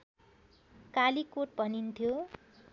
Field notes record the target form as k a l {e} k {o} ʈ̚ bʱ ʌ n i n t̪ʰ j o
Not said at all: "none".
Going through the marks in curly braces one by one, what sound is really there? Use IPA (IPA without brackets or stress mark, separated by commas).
i, o